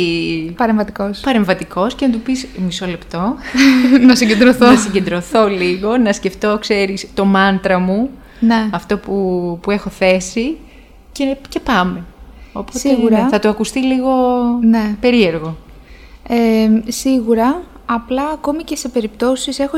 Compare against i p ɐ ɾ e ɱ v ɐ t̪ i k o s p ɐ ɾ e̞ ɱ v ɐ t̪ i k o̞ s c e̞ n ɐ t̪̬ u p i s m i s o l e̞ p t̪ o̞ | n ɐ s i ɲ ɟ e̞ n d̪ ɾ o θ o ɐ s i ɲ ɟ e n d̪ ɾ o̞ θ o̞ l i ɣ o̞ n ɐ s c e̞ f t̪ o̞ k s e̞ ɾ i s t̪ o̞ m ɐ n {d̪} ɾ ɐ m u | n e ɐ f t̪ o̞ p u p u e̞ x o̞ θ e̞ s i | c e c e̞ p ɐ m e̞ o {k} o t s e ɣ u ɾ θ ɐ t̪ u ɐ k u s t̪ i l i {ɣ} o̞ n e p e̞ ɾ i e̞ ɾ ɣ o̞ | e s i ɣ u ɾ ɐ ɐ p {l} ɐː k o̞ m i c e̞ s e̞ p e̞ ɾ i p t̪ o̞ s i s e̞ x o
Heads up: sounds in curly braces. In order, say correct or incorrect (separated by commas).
incorrect, incorrect, correct, correct